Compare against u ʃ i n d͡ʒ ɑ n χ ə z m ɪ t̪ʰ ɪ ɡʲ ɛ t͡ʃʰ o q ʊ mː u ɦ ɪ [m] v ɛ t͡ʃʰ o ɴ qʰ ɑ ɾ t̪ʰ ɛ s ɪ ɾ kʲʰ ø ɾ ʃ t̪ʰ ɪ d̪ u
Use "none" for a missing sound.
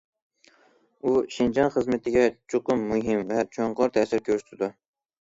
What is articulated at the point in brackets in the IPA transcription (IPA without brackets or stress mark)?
m